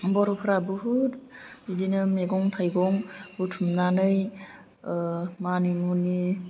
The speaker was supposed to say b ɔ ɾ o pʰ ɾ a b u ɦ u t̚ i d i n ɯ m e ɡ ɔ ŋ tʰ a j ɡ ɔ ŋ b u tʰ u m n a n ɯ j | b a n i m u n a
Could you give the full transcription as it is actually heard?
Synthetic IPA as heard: b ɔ ɾ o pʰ ɾ a b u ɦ u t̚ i d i n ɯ m e ɡ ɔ ŋ tʰ a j ɡ ɔ ŋ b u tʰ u m n a n ɯ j | m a n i m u n i